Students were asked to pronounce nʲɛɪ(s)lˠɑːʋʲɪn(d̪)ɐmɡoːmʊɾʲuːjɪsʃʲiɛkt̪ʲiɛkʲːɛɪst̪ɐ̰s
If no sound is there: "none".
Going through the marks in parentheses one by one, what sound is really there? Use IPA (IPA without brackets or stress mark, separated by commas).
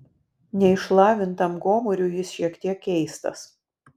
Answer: ʃ, t̪